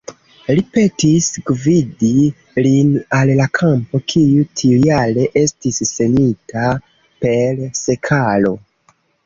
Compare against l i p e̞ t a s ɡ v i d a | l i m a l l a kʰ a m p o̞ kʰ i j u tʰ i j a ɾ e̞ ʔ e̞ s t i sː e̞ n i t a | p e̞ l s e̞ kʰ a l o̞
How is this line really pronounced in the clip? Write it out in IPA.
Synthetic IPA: l i p e̞ t i s ɡ v i d i | l i n a l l a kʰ a m p o̞ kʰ i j u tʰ i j a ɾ e̞ ʔ e̞ s t i sː e̞ n i t a | p e̞ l s e̞ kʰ a l o̞